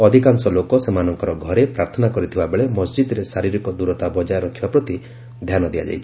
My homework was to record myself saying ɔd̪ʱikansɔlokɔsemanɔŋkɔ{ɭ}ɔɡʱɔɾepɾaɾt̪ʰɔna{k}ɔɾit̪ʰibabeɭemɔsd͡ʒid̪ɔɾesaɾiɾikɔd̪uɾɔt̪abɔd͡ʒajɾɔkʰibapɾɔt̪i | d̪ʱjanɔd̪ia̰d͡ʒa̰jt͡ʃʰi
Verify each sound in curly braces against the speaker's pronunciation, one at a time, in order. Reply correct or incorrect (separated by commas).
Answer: incorrect, correct